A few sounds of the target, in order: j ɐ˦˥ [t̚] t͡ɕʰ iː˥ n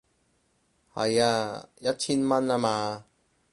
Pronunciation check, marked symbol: correct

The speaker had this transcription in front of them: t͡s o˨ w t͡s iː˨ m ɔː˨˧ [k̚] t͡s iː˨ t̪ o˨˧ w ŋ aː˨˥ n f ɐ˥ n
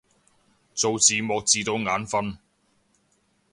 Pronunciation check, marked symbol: correct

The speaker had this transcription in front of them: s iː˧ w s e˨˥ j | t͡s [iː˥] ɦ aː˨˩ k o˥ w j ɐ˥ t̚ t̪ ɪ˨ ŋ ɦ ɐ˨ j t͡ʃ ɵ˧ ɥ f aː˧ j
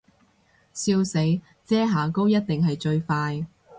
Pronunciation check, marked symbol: incorrect: ɛː˥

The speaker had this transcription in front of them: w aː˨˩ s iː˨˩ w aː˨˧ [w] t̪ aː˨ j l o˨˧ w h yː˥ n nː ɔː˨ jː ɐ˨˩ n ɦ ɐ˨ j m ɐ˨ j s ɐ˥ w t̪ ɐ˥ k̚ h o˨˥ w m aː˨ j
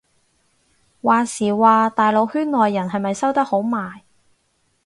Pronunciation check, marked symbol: incorrect: none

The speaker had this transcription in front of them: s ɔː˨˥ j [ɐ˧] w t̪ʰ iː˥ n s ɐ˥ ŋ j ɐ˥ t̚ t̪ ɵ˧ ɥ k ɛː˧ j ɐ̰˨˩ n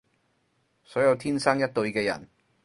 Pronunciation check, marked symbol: correct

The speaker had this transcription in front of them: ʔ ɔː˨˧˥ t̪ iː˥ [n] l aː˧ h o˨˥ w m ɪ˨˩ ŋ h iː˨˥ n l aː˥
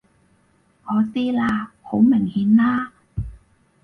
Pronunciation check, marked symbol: incorrect: none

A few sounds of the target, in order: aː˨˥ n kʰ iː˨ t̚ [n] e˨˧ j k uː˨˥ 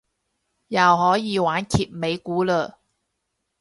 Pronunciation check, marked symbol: incorrect: m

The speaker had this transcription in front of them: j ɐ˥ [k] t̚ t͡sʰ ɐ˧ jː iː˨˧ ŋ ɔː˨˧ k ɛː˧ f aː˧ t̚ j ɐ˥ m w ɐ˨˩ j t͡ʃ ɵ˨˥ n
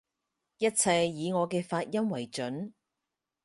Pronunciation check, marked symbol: incorrect: none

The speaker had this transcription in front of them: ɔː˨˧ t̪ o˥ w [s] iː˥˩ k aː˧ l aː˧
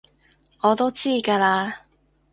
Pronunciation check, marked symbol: incorrect: t͡s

